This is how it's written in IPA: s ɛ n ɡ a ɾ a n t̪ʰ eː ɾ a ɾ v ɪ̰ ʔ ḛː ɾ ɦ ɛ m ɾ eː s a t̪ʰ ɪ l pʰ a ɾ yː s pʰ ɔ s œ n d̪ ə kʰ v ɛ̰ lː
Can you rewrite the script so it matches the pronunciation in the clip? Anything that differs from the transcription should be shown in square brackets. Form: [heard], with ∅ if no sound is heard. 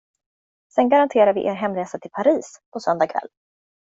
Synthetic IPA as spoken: s ɛ n ɡ a ɾ a n t̪ʰ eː ɾ a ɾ v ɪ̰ ʔ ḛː ɾ ɦ ɛ m ɾ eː s a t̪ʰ ɪ l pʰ a ɾ [iː] s pʰ ɔ s œ n d̪ [a] kʰ v ɛ̰ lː

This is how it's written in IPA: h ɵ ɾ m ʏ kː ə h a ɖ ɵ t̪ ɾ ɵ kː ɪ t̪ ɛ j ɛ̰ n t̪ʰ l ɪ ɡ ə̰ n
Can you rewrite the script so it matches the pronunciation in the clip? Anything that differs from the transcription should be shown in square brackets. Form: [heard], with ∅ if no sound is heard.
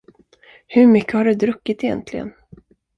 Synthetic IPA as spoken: h ɵ ɾ m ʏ kː ə h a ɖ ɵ [d̪] ɾ ɵ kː ɪ t̪ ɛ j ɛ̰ n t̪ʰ l ɪ ɡ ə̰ n

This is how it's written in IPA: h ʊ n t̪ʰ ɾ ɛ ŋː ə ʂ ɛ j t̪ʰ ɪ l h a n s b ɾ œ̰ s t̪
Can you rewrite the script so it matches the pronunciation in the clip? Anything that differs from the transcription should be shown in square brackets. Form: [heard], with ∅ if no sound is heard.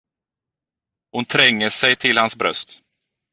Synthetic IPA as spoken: h ʊ n t̪ʰ ɾ ɛ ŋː ə [s] ɛ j t̪ʰ ɪ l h a n s b ɾ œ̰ s t̪

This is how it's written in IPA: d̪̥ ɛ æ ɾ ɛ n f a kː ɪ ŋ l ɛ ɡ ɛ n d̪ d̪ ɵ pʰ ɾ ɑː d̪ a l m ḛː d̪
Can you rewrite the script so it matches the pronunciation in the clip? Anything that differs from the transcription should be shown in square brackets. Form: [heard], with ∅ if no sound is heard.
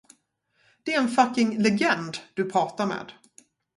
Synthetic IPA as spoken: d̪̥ ɛ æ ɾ ɛ n f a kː ɪ ŋ l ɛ ɡ ɛ n d̪ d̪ ɵ pʰ ɾ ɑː [t̪] a [ɾ] m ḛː d̪

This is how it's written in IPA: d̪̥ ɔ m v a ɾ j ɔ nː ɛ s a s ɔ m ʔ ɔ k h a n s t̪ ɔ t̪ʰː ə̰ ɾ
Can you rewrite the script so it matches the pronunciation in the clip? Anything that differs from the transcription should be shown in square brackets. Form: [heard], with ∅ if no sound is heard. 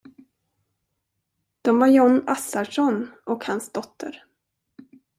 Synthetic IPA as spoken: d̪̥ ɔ m v a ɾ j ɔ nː [a] s a [ʂ] ɔ [n] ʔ ɔ k h a n s [d̪] ɔ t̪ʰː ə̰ ɾ

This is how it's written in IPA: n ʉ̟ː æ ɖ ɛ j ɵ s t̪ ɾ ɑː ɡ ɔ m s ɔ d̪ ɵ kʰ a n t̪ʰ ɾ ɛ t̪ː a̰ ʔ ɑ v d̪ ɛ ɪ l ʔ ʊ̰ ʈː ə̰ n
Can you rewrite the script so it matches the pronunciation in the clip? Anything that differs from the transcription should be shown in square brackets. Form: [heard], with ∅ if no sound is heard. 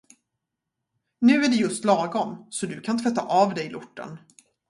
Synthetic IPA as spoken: n ʉ̟ː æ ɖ ɛ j ɵ s t̪ [l] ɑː ɡ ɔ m s ɔ d̪ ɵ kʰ a n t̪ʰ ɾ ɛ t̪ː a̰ ʔ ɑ v d̪ ɛ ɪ l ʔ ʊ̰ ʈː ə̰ n

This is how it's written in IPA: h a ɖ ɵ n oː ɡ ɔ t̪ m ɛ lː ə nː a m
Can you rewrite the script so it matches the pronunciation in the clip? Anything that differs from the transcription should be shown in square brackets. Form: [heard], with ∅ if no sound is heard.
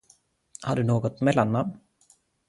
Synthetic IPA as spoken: h a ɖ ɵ n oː ɡ ɔ t̪ m ɛ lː [a] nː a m

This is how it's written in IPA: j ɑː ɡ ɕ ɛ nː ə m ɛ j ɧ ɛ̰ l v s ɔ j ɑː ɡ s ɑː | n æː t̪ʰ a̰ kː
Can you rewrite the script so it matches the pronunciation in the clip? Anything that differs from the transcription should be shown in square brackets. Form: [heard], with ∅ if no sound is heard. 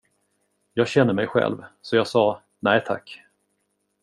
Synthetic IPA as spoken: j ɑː ɡ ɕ ɛ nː ə m ɛ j ɧ ɛ̰ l v s ɔ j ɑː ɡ s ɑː | n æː t̪ʰ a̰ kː

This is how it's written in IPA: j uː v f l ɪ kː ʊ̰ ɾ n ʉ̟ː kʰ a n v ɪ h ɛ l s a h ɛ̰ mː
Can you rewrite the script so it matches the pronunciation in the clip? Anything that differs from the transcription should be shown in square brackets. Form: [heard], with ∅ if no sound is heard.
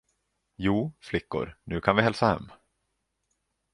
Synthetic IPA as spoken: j uː [∅] f l ɪ kː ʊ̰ ɾ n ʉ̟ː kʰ a n v ɪ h ɛ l s a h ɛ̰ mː

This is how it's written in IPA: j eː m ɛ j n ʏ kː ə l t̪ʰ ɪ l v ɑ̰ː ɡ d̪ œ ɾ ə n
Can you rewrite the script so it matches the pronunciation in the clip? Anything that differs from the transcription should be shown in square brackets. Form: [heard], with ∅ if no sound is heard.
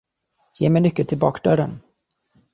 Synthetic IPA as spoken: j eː m ɛ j n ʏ kː ə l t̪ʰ ɪ l [b] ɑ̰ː [k] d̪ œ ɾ ə n

